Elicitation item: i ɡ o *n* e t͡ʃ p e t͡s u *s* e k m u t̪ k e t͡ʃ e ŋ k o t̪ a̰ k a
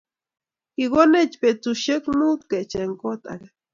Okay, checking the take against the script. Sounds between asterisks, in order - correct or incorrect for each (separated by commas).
correct, incorrect